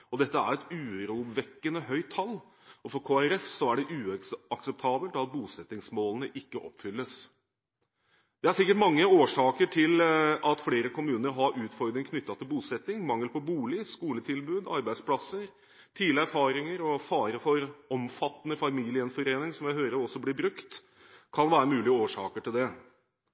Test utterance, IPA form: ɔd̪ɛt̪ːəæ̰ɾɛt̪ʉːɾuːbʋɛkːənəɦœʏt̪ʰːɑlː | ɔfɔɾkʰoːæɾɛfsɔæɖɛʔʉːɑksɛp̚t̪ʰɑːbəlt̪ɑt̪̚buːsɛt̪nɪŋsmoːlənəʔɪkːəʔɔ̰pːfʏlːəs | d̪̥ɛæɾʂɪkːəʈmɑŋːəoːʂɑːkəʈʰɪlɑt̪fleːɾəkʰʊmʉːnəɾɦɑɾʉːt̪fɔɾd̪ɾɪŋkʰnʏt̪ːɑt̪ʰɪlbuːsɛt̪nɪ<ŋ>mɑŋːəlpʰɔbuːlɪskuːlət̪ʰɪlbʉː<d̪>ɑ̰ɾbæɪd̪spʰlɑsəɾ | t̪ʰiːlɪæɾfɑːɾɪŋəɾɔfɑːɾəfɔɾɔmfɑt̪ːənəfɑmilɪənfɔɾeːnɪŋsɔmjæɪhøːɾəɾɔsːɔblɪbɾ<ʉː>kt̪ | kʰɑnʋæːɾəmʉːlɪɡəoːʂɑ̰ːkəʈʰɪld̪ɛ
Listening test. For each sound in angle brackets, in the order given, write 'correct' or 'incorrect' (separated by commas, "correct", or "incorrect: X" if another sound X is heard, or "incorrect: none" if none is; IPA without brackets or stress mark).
correct, correct, incorrect: ʉ